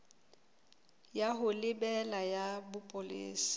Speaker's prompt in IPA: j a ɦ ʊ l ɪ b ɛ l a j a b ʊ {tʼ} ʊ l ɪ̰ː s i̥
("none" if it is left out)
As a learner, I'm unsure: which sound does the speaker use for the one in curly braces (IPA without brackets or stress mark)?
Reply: pʼ